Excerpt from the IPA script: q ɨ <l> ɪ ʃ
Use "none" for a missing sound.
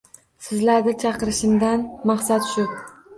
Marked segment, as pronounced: ɾ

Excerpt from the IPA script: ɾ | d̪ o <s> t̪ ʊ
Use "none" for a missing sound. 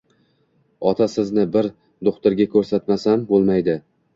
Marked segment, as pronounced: χ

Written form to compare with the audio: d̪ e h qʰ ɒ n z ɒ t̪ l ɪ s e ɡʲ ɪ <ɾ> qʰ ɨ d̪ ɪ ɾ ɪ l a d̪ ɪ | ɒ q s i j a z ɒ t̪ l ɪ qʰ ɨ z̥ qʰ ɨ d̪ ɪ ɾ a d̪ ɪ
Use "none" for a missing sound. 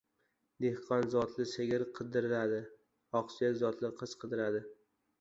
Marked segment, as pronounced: ɾ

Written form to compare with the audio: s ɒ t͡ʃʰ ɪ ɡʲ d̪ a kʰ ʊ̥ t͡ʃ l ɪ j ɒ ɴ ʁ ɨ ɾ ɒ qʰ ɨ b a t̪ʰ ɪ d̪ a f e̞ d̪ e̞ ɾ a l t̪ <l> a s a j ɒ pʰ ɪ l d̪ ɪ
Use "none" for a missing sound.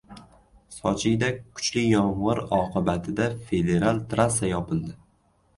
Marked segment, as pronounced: ɾ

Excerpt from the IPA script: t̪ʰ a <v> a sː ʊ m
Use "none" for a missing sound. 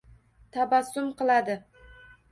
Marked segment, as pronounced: b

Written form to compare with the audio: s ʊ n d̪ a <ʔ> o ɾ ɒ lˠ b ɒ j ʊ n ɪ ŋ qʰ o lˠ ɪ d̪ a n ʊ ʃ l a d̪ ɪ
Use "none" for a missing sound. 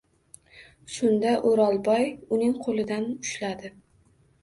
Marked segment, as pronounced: ʔ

